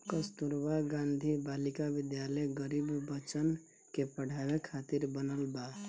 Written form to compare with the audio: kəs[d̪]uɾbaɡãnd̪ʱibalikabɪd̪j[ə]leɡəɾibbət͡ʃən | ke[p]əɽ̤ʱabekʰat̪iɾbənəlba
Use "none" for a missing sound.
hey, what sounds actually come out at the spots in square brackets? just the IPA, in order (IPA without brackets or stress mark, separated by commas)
t̪, a, p